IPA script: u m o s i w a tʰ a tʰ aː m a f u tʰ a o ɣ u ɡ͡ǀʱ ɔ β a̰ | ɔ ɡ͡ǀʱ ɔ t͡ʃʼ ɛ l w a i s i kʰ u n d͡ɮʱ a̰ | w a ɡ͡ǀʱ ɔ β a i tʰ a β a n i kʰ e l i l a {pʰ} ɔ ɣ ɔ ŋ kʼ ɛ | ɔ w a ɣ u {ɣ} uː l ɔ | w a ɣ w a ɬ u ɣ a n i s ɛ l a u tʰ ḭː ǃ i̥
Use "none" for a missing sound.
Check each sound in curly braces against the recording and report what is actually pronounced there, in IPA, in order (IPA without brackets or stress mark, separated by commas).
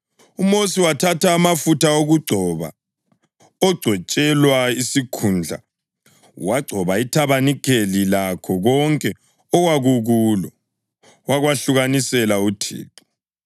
kʰ, ɣ